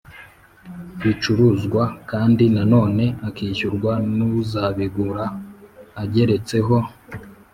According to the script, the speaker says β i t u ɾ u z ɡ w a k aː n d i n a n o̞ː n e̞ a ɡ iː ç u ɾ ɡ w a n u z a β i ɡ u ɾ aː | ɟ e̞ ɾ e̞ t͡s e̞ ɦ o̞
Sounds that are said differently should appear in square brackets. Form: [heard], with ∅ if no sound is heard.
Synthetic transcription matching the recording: β i [t͡ʃ] u ɾ u z ɡ w a k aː n d i n a n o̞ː n e̞ a [k] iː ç u ɾ ɡ w a n u z a β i ɡ u ɾ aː | ɟ e̞ ɾ e̞ t͡s e̞ ɦ o̞